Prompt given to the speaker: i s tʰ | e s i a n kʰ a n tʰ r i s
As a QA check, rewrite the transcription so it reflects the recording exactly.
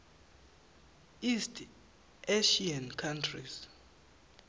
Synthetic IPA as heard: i s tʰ | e ʃ i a n kʰ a n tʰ r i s